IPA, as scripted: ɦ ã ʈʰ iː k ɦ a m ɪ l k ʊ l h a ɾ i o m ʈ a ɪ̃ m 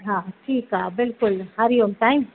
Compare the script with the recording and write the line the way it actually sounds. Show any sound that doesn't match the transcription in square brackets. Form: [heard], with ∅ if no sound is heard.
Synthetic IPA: ɦ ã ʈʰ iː k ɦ a [b] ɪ l k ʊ l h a ɾ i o m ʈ a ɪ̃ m